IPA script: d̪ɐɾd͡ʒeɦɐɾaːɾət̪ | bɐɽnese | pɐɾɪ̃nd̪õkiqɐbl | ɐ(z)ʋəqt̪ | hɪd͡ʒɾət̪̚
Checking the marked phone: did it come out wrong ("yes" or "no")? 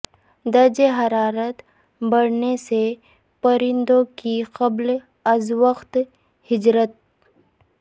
no